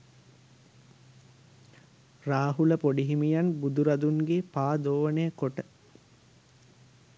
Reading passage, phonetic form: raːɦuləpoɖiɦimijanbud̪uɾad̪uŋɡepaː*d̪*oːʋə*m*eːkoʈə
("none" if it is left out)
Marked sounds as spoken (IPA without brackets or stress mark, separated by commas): d̪, n